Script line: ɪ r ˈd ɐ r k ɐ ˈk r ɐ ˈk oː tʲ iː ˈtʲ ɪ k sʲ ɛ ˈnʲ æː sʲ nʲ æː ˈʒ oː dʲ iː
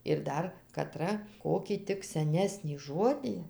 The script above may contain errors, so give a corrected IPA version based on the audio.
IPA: ɪ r ˈd ɐ r k ɐ ˈt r ɐ ˈk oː kʲ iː ˈtʲ ɪ k sʲ ɛ ˈnʲ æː sʲ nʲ iː ˈʒ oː dʲ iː